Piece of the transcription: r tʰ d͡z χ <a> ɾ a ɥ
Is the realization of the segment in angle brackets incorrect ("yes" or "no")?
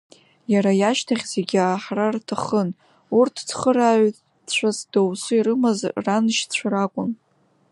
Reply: yes